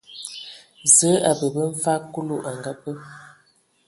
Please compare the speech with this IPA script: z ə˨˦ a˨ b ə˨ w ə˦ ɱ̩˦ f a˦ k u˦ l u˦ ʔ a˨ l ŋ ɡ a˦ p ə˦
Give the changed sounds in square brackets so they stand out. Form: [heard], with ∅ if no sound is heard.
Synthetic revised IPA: z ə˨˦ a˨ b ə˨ [b] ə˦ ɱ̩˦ f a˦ k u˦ l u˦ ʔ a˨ [∅] ŋ ɡ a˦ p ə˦